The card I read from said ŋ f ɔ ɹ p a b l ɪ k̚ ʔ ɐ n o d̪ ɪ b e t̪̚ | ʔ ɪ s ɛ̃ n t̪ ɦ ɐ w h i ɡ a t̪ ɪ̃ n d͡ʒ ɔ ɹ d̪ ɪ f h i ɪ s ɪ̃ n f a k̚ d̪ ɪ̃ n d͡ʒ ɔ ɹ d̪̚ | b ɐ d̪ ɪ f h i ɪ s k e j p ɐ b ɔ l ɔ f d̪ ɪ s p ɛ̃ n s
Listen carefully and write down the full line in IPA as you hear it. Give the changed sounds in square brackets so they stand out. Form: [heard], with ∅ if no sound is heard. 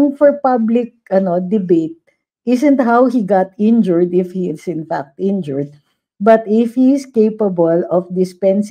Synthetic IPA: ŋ f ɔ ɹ p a b l ɪ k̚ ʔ ɐ n o d̪ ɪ b e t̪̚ | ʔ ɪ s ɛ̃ n t̪ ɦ [a] w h i ɡ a t̪ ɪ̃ n d͡ʒ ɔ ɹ d̪ ɪ f h i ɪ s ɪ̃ n f a k̚ [t̪] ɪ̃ n d͡ʒ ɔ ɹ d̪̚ | b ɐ [t̪] ɪ f h i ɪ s k e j p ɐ b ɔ l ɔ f d̪ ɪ s p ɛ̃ n s